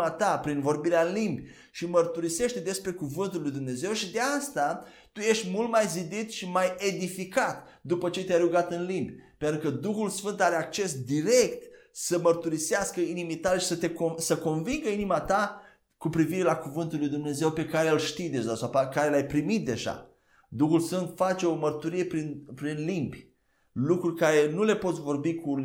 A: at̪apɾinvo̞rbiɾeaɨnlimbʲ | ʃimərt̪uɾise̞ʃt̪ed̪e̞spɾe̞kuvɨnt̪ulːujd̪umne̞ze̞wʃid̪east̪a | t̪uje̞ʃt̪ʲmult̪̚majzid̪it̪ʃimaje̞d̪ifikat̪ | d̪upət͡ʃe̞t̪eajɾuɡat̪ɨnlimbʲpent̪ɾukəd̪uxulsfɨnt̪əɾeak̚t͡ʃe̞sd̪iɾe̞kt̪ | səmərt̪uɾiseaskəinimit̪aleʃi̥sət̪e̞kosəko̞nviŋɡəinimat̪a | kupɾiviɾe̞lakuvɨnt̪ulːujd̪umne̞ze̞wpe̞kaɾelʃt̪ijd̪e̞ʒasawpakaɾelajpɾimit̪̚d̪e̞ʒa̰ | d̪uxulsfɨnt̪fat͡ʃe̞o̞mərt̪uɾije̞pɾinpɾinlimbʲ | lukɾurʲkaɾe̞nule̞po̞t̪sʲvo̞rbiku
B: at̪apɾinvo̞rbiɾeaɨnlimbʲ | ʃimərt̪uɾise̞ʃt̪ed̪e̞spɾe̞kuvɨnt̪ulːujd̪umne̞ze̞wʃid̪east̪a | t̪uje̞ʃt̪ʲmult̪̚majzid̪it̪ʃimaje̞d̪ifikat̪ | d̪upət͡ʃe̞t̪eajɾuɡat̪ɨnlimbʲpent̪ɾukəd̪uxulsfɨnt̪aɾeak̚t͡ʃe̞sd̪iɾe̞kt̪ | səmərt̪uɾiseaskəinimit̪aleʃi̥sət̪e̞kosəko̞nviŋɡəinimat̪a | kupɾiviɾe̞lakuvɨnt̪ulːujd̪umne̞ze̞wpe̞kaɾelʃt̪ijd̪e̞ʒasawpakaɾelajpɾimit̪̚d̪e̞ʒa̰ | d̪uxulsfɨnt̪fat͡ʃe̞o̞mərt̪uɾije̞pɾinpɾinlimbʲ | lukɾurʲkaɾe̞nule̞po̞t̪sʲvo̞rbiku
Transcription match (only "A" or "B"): B